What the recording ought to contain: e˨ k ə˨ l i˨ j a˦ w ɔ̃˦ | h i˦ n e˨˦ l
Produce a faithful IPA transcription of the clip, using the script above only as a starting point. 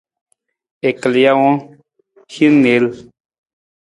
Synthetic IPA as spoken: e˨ k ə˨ l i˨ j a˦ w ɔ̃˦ | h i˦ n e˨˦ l